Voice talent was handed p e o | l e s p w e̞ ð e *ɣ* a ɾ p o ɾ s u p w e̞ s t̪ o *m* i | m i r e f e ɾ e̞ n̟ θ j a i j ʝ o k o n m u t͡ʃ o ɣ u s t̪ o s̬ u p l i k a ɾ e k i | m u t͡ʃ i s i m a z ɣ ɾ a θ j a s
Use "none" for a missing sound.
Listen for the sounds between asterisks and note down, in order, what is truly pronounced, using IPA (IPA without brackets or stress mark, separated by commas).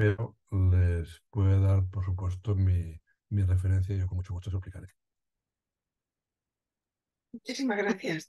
ð, m